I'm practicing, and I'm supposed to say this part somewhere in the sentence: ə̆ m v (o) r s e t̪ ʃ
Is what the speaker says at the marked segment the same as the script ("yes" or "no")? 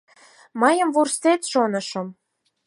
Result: no